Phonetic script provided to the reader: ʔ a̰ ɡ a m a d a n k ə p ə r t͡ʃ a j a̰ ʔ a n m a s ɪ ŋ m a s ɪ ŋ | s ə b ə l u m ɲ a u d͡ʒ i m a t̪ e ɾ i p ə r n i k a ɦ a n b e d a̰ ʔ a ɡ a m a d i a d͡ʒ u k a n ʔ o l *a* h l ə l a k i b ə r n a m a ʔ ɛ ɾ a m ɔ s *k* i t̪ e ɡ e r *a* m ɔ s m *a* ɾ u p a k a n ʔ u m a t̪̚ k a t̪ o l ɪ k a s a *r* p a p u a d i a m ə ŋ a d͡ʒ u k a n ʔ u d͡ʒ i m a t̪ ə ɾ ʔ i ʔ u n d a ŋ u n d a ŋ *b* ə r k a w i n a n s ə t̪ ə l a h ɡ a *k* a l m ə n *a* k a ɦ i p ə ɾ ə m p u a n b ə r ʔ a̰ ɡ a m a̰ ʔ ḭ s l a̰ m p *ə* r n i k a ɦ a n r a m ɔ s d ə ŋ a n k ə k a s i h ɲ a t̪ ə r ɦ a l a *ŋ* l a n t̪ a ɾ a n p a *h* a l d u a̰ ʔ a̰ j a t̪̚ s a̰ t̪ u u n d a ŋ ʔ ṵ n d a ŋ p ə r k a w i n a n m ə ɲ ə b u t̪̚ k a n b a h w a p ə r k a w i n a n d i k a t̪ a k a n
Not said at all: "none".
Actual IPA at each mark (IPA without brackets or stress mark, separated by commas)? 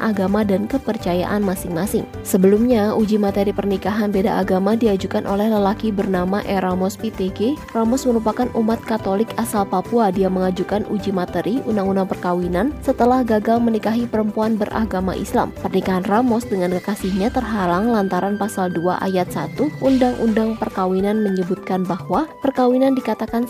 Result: ɛ, p, a, ə, l, p, ɡ, i, ə, ŋ, s